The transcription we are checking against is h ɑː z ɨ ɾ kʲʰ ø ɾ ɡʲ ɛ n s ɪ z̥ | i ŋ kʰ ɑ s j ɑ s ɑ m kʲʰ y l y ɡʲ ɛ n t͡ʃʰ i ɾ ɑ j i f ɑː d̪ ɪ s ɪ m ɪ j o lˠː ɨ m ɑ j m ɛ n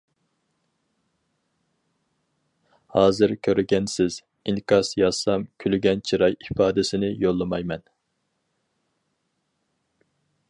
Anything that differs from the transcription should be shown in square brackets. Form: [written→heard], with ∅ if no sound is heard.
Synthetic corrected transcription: h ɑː z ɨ ɾ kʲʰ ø ɾ ɡʲ ɛ n s ɪ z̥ | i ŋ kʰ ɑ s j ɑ s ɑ m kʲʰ y l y ɡʲ ɛ n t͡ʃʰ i ɾ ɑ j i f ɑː d̪ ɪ s ɪ [m→n] ɪ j o lˠː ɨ m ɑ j m ɛ n